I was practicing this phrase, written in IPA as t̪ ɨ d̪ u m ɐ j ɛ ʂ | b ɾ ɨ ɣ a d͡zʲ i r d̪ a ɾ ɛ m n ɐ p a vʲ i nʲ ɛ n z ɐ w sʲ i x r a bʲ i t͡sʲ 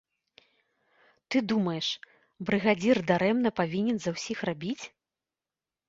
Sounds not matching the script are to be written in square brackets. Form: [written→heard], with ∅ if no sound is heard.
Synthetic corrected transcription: t̪ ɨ d̪ u m ɐ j ɛ ʂ | b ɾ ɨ ɣ a d͡zʲ i r d̪ a ɾ ɛ m n ɐ p a vʲ i nʲ ɛ n z ɐ w sʲ i x r a bʲ i t͡sʲ